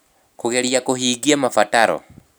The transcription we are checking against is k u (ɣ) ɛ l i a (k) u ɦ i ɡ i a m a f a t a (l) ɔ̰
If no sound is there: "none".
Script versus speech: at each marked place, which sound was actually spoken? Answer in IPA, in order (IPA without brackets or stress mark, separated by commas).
ɣ, k, ɾ